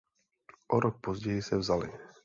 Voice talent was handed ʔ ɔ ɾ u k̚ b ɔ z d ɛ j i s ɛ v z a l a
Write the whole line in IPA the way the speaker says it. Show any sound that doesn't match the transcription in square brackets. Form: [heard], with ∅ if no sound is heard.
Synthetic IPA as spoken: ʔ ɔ ɾ [ɔ] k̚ [p] ɔ z [ɟ] ɛ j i s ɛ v z a l [i]